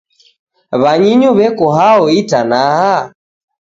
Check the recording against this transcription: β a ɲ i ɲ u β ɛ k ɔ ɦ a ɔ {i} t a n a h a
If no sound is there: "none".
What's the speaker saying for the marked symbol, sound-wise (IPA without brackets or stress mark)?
i